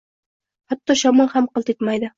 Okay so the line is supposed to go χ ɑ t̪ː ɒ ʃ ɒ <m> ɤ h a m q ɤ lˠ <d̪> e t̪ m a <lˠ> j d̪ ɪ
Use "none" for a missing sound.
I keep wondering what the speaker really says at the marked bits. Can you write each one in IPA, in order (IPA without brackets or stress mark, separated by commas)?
m, t̪, none